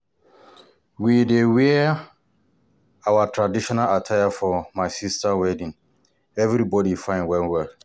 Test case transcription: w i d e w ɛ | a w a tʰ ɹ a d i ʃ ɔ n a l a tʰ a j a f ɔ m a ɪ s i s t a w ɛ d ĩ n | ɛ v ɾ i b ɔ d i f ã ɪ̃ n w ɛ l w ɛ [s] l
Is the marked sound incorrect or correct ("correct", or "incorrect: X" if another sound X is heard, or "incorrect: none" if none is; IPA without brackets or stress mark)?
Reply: incorrect: none